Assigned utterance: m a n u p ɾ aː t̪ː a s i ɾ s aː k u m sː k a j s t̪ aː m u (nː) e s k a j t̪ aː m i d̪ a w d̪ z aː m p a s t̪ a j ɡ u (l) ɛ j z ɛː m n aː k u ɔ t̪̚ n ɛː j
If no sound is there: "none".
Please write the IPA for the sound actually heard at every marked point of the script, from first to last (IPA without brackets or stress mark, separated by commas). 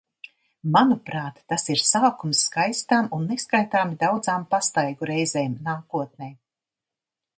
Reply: nː, ɾ